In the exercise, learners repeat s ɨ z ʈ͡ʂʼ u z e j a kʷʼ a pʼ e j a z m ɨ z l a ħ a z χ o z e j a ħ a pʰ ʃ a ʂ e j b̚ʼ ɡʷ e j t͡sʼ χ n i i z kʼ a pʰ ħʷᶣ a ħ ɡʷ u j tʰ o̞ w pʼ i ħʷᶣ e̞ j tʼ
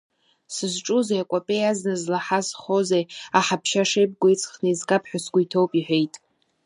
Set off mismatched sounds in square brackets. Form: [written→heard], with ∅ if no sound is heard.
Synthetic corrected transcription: s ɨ z ʈ͡ʂʼ u z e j a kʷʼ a pʼ e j a z [m→n] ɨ z l a ħ a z χ o z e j a ħ a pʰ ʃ a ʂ e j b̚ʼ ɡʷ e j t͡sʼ χ n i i z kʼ a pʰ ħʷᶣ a [ħ→s] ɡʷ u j tʰ o̞ w pʼ i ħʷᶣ e̞ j tʼ